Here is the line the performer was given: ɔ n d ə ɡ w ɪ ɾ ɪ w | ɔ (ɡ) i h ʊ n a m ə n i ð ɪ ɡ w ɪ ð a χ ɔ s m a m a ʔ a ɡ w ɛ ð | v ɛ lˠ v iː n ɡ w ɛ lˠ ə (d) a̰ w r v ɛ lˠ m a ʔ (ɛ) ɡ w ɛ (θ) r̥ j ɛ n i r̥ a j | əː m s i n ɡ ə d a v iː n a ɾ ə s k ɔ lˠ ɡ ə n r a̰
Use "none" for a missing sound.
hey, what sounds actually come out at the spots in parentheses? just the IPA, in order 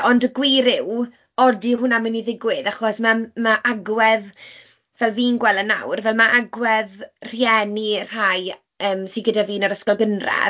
d, n, a, ð

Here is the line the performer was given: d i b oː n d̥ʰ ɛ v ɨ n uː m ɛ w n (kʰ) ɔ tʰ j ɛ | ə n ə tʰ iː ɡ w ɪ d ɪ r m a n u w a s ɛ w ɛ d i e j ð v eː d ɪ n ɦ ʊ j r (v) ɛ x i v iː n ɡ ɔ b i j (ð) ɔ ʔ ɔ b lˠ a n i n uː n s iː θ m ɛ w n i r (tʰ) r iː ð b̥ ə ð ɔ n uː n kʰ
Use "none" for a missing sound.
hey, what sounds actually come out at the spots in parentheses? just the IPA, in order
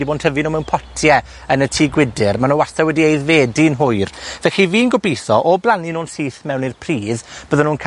pʰ, v, θ, pʰ

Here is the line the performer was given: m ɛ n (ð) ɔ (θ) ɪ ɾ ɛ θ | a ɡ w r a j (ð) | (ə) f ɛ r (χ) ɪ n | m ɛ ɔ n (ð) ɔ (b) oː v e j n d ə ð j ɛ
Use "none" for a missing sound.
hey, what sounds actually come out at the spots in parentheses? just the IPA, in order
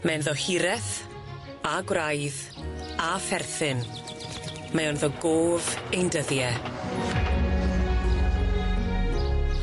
ð, h, ð, a, θ, ð, ɡ

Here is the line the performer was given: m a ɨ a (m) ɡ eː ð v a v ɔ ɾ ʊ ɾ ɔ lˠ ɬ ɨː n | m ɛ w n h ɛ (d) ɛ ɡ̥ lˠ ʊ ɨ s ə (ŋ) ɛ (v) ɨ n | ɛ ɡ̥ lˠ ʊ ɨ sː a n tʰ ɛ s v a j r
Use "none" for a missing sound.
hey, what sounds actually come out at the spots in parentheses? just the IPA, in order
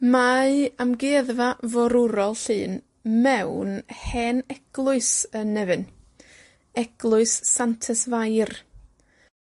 m, n, n, v

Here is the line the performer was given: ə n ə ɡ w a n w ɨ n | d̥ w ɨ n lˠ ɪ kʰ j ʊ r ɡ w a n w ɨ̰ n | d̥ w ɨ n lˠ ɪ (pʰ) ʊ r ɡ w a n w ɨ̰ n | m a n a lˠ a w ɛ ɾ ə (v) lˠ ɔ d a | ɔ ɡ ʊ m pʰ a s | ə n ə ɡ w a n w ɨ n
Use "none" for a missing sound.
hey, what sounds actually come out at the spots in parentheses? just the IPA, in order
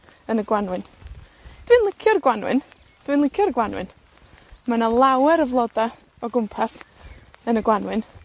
kʰ, v

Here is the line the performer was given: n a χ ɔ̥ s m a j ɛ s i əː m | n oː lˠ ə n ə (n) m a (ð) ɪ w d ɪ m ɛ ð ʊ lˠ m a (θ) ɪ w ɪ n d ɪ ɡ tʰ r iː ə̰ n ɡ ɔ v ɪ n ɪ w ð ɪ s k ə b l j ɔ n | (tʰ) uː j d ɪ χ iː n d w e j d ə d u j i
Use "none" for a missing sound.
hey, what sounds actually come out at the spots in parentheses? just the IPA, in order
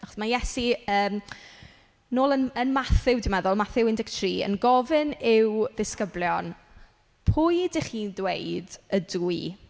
n, θ, θ, pʰ

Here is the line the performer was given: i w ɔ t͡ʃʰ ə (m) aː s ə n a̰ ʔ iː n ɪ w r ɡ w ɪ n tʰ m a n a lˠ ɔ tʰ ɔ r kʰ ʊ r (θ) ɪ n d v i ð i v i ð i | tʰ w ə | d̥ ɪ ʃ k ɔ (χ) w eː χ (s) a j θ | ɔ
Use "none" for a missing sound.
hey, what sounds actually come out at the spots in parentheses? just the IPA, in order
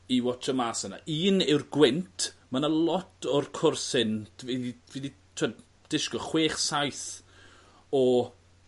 m, s, χ, s

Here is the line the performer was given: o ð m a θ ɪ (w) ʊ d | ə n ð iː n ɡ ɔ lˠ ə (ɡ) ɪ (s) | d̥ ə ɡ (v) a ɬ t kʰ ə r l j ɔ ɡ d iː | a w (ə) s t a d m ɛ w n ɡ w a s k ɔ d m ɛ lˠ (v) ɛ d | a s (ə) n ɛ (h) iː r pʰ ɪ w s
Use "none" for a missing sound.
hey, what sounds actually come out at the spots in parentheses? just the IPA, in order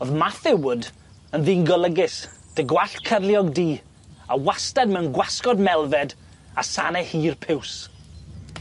w, ɡ, s, w, a, v, a, h

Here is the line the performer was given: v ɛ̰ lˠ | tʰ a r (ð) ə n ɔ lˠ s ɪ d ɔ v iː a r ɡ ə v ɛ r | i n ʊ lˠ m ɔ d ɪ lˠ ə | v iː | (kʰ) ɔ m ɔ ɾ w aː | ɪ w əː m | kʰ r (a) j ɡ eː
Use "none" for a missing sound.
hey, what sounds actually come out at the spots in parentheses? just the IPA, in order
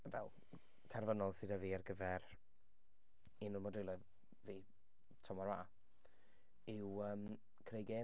v, tʰ, e

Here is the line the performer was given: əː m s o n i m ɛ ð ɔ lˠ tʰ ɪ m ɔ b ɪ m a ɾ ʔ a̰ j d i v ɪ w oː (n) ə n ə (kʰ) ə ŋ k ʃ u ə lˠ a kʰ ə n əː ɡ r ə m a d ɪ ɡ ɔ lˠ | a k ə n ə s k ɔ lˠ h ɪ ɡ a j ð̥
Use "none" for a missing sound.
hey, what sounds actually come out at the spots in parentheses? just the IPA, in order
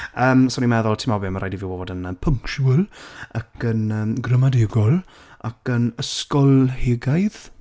d, pʰ

